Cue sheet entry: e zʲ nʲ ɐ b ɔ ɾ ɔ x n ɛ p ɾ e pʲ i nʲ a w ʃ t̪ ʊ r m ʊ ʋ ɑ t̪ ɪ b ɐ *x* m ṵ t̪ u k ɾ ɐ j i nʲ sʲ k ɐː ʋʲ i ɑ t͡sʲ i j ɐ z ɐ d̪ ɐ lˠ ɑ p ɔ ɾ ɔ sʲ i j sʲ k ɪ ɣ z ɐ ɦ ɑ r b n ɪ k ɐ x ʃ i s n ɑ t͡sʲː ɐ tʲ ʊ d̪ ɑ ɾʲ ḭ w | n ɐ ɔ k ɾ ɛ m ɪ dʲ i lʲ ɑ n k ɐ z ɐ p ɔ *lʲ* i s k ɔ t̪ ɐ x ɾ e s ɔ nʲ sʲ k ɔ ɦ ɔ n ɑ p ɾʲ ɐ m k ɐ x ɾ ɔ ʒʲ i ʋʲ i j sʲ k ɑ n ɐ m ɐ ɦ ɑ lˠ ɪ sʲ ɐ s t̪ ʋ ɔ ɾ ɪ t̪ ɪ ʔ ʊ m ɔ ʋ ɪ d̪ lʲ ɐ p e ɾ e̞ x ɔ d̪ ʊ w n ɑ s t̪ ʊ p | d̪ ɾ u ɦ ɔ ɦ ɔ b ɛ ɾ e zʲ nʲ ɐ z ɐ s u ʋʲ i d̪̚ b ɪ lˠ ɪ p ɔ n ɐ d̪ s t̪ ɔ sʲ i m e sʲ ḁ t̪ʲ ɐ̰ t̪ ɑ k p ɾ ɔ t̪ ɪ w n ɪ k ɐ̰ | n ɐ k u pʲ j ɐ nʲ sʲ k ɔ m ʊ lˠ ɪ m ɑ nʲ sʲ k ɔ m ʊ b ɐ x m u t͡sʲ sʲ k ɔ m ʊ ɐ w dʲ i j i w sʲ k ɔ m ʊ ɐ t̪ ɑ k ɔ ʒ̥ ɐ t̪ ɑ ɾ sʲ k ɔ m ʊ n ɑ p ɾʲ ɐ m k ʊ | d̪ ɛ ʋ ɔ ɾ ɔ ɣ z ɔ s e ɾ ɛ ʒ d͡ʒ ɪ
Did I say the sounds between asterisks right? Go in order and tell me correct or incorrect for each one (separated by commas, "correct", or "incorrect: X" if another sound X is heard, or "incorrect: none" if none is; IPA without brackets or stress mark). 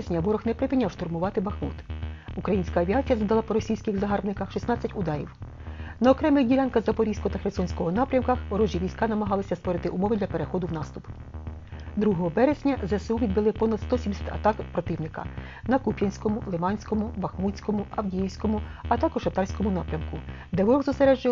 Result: correct, incorrect: ɾʲ